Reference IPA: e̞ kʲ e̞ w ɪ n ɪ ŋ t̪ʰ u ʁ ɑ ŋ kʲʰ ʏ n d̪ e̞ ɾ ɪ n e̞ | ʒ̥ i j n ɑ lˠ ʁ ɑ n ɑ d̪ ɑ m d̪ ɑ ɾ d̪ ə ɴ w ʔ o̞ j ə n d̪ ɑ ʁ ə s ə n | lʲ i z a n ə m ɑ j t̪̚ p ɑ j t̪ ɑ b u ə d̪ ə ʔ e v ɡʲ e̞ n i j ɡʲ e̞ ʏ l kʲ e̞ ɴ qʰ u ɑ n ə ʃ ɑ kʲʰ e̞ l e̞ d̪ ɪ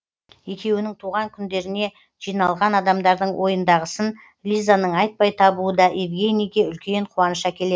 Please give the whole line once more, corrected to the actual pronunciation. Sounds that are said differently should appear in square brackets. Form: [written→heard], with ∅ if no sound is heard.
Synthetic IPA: e̞ kʲ e̞ w ɪ n ɪ ŋ t̪ʰ u ʁ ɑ ŋ kʲʰ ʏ n d̪ e̞ ɾ ɪ n e̞ | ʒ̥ i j n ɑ lˠ ʁ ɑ n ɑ d̪ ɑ m d̪ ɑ ɾ d̪ ə ɴ w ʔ o̞ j ə n d̪ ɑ ʁ ə s ə n | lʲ i z a n ə [m→ɴ] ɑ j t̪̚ p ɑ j [t̪→t̪ʰ] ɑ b u ə d̪ [ə→ɑ] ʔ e v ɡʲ e̞ n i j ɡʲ e̞ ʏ l kʲ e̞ ɴ qʰ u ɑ n ə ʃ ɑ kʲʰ e̞ l e̞ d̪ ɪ